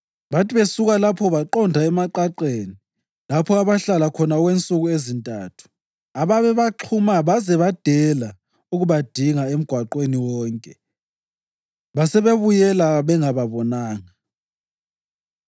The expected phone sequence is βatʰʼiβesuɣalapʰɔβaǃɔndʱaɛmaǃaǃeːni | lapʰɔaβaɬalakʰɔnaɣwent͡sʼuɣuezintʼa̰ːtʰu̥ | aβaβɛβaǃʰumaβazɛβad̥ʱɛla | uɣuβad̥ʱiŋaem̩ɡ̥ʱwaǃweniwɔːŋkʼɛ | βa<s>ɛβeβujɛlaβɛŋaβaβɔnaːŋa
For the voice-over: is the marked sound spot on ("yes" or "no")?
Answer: yes